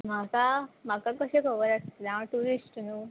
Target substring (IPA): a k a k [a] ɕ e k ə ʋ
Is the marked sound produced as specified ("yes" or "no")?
no